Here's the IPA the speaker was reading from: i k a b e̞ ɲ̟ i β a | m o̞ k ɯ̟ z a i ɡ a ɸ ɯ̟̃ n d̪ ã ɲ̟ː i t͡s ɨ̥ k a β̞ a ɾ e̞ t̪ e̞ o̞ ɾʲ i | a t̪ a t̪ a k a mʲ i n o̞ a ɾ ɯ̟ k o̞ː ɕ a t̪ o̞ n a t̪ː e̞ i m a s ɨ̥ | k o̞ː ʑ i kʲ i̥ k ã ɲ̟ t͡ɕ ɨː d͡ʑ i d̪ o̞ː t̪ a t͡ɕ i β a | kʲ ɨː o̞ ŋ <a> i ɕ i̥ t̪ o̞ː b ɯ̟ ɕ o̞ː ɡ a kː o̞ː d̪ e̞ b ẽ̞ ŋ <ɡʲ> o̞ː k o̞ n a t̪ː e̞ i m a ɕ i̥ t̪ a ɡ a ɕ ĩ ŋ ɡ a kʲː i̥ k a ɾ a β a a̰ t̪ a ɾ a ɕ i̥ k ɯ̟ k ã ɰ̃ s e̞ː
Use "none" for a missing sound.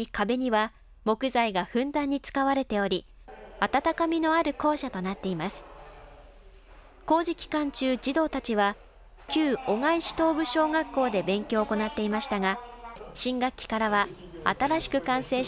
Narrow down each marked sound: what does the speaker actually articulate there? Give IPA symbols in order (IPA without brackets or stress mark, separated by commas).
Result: a, kʲ